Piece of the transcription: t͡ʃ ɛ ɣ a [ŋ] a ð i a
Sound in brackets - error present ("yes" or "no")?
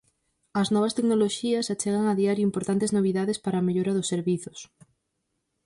no